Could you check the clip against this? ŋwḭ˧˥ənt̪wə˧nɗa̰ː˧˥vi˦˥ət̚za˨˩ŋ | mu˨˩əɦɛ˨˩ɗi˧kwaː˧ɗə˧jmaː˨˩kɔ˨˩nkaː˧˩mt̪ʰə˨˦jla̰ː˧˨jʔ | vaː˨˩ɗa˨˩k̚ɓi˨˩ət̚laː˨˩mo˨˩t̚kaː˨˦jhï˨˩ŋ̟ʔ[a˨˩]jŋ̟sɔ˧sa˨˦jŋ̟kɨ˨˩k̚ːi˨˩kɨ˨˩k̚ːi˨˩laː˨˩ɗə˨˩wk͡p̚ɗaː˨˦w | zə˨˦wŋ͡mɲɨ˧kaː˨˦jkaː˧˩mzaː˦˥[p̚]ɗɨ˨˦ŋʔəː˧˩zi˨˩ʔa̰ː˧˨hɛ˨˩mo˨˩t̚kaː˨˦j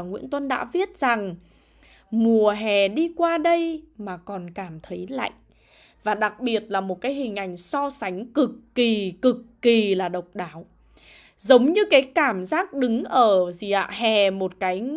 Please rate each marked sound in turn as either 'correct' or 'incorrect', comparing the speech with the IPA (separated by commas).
correct, incorrect